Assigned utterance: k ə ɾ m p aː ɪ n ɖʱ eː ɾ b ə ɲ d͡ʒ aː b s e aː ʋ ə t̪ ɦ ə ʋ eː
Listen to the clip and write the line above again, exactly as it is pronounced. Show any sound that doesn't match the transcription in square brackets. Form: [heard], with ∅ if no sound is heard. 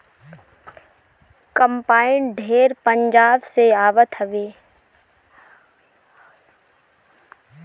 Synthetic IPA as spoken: k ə [∅] m p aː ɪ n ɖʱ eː ɾ [p] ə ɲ d͡ʒ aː b s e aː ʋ ə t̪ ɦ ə ʋ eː